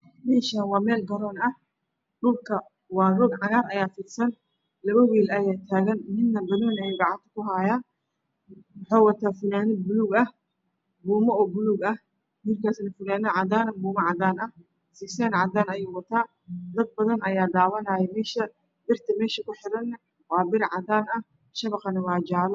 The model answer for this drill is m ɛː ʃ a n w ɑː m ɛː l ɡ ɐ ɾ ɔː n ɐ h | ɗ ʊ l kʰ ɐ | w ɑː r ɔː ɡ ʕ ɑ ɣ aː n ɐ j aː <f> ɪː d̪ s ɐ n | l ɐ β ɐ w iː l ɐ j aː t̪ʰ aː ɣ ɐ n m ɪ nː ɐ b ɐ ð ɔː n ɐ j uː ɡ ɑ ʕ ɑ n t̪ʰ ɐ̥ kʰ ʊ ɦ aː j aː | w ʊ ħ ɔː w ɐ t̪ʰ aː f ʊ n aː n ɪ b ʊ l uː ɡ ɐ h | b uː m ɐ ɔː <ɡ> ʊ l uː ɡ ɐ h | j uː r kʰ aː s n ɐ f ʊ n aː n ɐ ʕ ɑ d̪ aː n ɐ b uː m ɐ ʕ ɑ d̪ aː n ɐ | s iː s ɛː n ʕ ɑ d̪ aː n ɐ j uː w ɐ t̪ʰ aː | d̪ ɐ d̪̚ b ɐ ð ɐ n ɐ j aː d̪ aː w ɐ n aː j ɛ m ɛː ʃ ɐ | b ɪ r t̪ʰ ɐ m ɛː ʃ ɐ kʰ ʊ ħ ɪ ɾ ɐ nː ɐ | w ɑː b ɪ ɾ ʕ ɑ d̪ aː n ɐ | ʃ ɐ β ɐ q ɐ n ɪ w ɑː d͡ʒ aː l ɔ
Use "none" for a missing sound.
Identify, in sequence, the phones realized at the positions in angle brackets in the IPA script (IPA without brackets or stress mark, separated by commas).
f, b